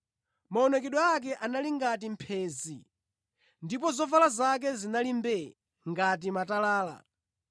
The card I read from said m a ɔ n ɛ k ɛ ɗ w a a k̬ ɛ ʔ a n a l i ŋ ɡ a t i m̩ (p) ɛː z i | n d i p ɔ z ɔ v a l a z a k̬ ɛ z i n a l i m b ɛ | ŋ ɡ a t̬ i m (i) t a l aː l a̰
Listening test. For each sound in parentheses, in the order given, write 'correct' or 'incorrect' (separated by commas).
incorrect, incorrect